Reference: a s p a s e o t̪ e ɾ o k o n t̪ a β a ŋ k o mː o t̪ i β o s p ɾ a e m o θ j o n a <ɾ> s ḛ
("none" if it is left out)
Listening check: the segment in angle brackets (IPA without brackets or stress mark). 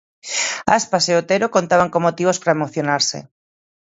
ɾ